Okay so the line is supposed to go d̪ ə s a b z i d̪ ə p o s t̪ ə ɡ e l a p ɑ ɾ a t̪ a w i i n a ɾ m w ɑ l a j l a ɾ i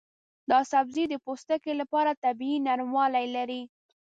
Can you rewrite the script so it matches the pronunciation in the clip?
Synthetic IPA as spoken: d̪ ɑ s a b z i d̪ ə p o s t̪ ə k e l a p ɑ ɾ a t̪ a b i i n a ɾ m w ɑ l a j l a ɾ i